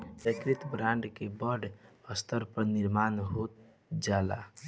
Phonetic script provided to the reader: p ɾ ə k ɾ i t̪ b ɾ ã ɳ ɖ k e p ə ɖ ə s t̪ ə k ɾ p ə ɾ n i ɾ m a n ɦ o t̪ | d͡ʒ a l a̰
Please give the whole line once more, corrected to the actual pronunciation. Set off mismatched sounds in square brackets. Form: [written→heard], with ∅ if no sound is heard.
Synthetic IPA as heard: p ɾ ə k ɾ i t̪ b ɾ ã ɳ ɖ k e [p→b] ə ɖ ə s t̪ ə [k→∅] ɾ p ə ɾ n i ɾ m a n ɦ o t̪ | d͡ʒ a l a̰